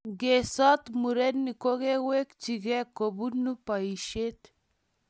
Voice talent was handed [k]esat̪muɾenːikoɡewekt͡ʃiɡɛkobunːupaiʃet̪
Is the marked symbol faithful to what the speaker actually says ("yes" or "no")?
no